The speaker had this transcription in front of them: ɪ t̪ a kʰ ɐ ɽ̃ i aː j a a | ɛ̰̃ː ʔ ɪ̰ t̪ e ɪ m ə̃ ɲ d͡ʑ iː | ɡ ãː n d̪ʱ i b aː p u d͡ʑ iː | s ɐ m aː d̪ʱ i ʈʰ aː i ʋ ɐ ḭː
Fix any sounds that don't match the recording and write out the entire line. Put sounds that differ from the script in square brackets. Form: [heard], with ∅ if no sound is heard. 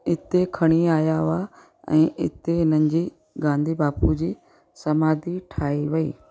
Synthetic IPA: ɪ t̪ [e] kʰ ɐ ɽ̃ i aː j a a | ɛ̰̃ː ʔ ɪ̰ t̪ e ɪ [n] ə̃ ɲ d͡ʑ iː | ɡ ãː n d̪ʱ i b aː p u d͡ʑ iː | s ɐ m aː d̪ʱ i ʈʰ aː i ʋ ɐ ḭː